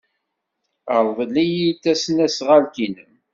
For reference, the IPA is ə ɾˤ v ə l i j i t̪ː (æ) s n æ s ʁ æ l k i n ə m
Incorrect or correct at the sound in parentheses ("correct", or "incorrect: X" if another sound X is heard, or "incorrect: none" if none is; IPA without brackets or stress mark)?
correct